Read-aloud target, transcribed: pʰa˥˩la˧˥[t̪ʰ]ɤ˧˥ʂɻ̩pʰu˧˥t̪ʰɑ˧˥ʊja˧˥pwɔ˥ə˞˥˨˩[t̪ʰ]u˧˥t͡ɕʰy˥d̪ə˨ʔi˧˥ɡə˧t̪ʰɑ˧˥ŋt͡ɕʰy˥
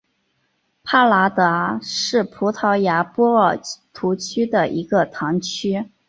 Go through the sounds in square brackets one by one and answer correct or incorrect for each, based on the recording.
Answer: incorrect: t̪, correct

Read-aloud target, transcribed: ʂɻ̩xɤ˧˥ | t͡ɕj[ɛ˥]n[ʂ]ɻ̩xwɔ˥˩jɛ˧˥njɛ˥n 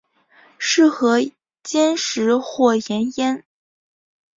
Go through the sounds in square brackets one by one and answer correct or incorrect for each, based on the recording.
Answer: correct, correct

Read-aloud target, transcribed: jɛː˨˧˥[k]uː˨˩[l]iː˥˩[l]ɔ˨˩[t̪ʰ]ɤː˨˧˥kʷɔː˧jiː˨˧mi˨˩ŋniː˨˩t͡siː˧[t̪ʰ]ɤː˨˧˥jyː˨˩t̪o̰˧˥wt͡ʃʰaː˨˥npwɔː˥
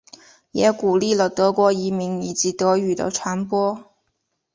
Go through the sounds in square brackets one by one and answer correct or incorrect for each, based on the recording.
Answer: correct, correct, correct, incorrect: t̪, incorrect: t̪

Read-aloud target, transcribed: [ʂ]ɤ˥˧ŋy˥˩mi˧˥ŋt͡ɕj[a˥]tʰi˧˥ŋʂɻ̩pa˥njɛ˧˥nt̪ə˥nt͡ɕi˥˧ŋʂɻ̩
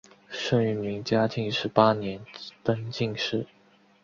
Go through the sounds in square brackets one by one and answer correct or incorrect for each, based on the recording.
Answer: correct, correct

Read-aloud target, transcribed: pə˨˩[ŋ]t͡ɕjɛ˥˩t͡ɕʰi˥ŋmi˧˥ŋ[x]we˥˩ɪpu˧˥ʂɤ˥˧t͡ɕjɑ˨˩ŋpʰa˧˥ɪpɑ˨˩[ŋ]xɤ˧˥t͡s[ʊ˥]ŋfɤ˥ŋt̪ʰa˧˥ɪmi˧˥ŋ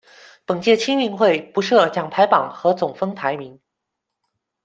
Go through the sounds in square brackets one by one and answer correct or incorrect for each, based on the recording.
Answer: correct, correct, correct, incorrect: ʊ˨˩

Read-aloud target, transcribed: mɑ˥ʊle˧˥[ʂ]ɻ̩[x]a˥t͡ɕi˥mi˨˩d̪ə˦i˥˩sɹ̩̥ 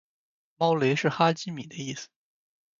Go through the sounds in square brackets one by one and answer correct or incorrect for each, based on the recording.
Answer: correct, correct

